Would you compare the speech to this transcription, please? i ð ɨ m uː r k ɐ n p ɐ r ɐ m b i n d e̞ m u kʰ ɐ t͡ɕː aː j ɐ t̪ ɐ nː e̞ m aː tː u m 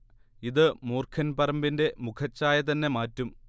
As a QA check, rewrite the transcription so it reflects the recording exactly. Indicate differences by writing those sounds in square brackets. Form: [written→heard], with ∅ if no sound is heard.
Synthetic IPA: i ð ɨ m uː r [k→kʰ] ɐ n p ɐ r ɐ m b i n d e̞ m u kʰ ɐ t͡ɕː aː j ɐ t̪ ɐ nː e̞ m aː tː u m